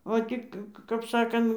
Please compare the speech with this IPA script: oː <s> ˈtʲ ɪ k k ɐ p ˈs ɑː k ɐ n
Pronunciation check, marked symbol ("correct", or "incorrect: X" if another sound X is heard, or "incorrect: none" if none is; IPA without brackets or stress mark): incorrect: none